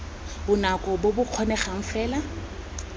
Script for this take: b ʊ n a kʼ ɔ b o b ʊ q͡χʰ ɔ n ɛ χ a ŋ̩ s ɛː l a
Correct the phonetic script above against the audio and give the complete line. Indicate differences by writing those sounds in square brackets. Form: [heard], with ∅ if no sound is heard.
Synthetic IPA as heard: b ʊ n a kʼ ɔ b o b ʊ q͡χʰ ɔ n ɛ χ a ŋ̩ [f] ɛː l a